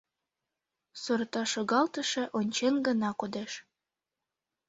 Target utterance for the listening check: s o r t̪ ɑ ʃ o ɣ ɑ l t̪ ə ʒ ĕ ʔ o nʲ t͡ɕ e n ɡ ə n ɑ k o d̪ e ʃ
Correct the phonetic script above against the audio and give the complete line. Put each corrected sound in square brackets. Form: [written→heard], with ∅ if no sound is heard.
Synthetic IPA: s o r t̪ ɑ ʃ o ɣ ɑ l t̪ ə [ʒ→ʃ] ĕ ʔ o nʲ t͡ɕ e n ɡ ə n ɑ k o d̪ e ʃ